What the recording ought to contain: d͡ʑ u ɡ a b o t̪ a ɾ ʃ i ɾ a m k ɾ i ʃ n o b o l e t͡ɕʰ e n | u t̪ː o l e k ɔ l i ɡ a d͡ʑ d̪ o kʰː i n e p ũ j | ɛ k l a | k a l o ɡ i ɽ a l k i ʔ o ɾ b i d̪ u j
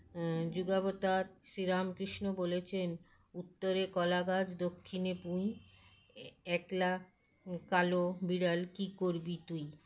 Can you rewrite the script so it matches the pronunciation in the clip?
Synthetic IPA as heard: d͡ʑ u ɡ a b o t̪ a ɾ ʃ i ɾ a m k ɾ i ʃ n o b o l e t͡ɕʰ e n | u t̪ː o ɾ e k ɔ l a ɡ a d͡ʑ d̪ o kʰː i n e p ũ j | ɛ k l a | k a l o b i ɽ a l k i k o ɾ b i t̪ u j